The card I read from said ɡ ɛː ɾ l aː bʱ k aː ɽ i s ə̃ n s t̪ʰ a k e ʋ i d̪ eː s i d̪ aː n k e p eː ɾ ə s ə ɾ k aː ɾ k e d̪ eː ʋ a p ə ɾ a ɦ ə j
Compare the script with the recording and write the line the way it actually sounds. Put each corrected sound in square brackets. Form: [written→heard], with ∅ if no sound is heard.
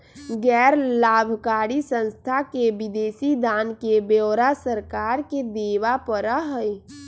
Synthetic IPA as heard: ɡ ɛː ɾ l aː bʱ k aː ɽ i s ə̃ n s t̪ʰ a k e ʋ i d̪ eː s i d̪ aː n k e [p→b] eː ɾ [ə→a] s ə ɾ k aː ɾ k e d̪ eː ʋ a p ə ɾ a ɦ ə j